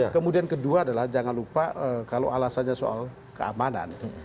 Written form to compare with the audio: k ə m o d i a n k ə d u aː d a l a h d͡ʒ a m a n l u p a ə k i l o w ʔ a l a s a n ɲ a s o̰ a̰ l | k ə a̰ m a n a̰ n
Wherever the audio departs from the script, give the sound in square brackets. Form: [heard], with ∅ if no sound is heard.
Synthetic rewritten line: k ə m [u] d i a n k ə d u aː d a l a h d͡ʒ a [ŋ] a n l u p a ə k [a] l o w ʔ a l a s a n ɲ a s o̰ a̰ l | k ə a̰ m a n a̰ n